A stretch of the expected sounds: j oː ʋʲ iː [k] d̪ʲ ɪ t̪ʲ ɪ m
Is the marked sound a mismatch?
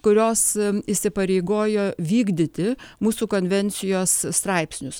yes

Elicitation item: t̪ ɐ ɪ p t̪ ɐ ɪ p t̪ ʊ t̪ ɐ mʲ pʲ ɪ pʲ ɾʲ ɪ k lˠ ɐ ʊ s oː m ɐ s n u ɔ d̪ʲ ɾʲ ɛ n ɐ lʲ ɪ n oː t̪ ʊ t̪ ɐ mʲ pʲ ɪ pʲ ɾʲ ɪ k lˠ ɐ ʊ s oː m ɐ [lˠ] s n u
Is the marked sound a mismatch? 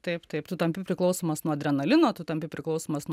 yes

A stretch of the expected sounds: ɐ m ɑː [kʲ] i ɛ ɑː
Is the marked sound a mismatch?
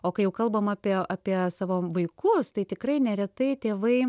yes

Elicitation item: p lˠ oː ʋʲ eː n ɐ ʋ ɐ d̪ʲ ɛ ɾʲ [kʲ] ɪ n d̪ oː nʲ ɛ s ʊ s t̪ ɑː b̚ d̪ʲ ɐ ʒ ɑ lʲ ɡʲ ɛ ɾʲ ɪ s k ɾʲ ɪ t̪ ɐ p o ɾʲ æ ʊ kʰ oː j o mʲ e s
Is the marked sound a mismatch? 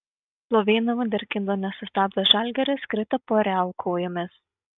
no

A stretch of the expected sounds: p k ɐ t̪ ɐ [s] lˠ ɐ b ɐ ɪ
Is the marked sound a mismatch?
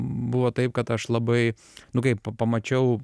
yes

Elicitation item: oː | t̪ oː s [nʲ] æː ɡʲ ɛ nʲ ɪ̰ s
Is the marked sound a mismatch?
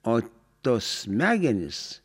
yes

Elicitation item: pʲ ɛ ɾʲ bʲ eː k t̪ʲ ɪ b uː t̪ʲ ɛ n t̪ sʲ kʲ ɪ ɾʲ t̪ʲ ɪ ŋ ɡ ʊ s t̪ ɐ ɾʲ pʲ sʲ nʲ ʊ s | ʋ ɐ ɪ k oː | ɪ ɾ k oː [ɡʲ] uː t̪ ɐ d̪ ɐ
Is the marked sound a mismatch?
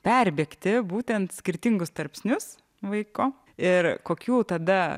yes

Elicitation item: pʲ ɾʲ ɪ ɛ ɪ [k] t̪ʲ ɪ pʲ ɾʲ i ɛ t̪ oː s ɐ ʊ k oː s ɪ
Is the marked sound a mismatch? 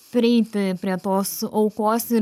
yes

